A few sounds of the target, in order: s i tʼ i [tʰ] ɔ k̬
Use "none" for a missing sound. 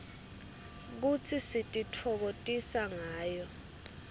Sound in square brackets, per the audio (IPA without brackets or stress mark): tʰ